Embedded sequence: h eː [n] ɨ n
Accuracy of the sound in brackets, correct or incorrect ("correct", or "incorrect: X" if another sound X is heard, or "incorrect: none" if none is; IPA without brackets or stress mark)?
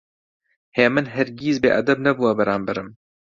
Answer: incorrect: m